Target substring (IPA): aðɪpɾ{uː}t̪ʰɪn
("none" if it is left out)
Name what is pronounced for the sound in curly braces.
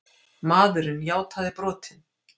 ɔː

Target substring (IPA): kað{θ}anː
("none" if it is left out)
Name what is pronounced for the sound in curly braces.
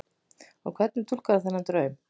θ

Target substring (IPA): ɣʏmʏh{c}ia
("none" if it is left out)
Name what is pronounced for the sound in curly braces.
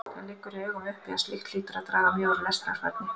p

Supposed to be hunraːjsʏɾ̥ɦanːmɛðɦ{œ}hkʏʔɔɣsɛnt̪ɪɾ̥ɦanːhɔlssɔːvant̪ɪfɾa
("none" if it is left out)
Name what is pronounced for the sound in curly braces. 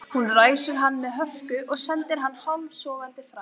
œ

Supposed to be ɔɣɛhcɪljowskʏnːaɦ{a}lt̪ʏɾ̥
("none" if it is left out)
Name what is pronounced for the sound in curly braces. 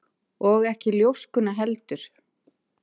ɛ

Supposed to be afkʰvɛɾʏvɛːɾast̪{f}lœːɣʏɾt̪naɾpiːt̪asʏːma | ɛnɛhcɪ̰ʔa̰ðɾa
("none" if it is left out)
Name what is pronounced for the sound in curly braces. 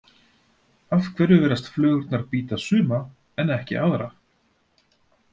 f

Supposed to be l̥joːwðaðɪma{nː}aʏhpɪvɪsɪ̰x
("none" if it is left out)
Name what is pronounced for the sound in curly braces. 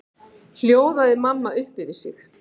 mː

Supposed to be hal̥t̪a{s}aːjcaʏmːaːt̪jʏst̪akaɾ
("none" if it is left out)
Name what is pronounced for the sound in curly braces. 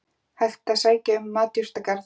s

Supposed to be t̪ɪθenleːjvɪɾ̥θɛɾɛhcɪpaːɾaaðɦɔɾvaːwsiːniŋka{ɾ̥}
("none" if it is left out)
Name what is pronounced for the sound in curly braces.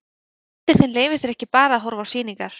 ɾ̥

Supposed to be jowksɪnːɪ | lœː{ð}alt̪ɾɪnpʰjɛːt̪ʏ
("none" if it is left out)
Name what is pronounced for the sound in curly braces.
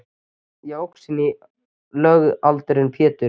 ɣ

